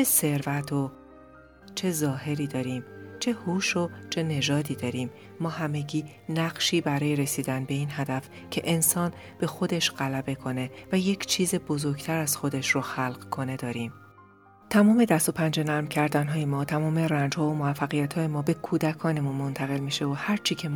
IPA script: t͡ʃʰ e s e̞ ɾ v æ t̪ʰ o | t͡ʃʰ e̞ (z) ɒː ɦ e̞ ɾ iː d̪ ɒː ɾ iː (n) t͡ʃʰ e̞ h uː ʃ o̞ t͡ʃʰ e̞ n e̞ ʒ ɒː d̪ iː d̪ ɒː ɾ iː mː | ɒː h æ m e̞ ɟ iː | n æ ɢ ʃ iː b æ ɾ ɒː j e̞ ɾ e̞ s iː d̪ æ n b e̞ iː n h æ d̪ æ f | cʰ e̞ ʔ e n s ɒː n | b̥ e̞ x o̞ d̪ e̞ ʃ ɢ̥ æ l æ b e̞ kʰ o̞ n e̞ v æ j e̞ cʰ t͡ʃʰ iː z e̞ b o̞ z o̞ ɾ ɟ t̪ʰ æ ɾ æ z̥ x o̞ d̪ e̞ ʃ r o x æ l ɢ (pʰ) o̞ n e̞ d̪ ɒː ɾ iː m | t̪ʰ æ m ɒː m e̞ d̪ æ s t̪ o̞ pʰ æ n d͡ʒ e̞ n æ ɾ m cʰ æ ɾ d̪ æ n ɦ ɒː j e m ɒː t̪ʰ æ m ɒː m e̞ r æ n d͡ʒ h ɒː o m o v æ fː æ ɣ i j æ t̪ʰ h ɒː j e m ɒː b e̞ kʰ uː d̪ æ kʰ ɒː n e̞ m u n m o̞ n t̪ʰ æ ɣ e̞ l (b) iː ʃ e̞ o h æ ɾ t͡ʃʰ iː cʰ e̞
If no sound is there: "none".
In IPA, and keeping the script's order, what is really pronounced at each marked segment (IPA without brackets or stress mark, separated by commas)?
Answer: z, m, kʰ, m